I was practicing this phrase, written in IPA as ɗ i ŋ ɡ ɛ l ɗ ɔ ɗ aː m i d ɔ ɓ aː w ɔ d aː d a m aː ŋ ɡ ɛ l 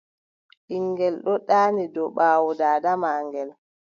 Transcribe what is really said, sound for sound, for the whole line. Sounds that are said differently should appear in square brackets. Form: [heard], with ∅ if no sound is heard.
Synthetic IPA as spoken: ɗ i ŋ ɡ ɛ l ɗ ɔ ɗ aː [n] i d ɔ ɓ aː w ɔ d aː d a m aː ŋ ɡ ɛ l